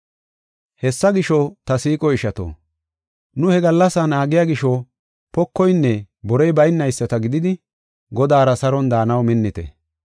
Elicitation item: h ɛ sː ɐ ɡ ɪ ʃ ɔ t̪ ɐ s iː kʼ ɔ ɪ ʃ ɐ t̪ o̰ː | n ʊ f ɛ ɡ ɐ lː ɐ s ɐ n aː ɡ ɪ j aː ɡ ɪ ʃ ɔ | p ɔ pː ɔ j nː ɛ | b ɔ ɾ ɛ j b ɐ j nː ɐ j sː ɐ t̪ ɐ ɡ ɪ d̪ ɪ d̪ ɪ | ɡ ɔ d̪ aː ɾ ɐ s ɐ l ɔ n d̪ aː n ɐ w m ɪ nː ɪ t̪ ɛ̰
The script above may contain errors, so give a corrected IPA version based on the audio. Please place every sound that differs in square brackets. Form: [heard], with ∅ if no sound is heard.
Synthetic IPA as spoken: h ɛ sː ɐ ɡ ɪ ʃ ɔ t̪ ɐ s iː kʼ ɔ ɪ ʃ ɐ t̪ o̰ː | n ʊ [h] ɛ ɡ ɐ lː ɐ s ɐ n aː ɡ ɪ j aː ɡ ɪ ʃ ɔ | p ɔ [kː] ɔ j nː ɛ | b ɔ ɾ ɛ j b ɐ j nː ɐ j sː ɐ t̪ ɐ ɡ ɪ d̪ ɪ d̪ ɪ | ɡ ɔ d̪ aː ɾ ɐ s ɐ [ɾ] ɔ n d̪ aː n ɐ w m ɪ nː ɪ t̪ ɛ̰

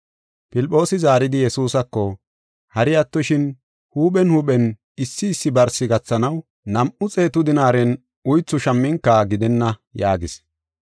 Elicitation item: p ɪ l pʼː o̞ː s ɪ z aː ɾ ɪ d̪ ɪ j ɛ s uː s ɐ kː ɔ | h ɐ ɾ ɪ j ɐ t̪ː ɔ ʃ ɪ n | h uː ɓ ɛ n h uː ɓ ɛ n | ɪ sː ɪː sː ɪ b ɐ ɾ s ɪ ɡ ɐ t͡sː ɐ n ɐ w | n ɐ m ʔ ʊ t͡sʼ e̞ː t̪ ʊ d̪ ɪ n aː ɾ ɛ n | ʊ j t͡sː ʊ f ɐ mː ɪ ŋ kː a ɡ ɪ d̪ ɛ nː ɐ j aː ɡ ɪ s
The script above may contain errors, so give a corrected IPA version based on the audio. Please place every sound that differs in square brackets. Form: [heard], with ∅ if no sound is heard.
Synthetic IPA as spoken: p ɪ l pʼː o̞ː s ɪ z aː ɾ ɪ d̪ ɪ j ɛ s uː s ɐ kː ɔ | h ɐ ɾ ɪ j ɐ t̪ː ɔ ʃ ɪ n | h uː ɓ ɛ n h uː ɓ ɛ n | ɪ sː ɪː sː ɪ b ɐ ɾ s ɪ ɡ ɐ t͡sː ɐ n ɐ w | n ɐ m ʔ ʊ t͡sʼ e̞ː t̪ ʊ d̪ ɪ n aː ɾ ɛ n | ʊ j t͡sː ʊ [ʃ] ɐ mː ɪ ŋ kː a ɡ ɪ d̪ ɛ nː ɐ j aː ɡ ɪ s

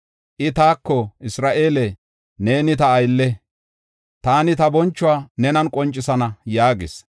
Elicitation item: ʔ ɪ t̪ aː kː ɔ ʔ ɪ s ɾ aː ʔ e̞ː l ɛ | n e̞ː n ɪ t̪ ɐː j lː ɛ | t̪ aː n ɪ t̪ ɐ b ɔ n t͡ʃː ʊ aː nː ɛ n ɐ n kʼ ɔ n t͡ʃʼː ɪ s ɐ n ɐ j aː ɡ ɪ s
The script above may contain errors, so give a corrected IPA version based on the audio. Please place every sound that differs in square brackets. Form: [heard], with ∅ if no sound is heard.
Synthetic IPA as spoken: ʔ ɪ t̪ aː kː ɔ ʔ ɪ s ɾ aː ʔ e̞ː l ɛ | n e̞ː n ɪ t̪ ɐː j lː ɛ | t̪ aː n ɪ t̪ ɐ b ɔ n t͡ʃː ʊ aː [n] ɛ n ɐ n kʼ ɔ n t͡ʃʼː ɪ s ɐ n ɐ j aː ɡ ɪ s

